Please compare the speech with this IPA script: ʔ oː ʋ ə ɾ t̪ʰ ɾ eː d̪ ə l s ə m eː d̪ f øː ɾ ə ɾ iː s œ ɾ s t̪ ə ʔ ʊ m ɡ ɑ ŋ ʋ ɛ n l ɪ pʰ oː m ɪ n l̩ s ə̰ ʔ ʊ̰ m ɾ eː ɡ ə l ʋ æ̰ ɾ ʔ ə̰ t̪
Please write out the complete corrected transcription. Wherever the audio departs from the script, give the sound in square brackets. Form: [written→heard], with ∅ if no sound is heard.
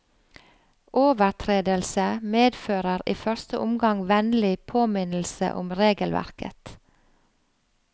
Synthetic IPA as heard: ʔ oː ʋ ə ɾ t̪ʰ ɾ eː d̪ ə l s ə m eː d̪ f øː ɾ ə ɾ iː [s→f] œ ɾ s t̪ ə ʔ ʊ m ɡ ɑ ŋ ʋ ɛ n l ɪ pʰ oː m ɪ n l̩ s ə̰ ʔ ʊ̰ m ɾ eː ɡ ə l ʋ æ̰ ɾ [ʔ→k] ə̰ t̪